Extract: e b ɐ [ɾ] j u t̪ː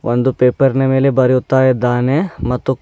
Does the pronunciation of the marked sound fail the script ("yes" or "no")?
no